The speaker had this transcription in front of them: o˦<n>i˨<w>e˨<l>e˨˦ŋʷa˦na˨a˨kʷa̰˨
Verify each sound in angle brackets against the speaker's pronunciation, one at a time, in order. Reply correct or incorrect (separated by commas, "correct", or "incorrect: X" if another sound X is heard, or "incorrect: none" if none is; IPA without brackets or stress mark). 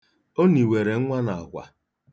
correct, correct, incorrect: ɾ